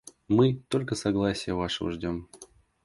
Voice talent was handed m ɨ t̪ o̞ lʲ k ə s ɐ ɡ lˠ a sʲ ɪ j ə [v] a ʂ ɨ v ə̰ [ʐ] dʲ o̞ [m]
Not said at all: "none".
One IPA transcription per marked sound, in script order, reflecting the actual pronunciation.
v, ʐ, m

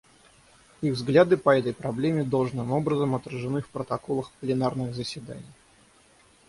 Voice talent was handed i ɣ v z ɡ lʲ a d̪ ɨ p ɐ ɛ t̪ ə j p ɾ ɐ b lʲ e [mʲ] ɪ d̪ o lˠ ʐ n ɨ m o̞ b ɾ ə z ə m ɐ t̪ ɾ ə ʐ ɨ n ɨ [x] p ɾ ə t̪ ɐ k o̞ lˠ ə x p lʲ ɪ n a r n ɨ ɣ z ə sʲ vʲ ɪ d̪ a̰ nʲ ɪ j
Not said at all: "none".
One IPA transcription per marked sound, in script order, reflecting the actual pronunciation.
mʲ, f

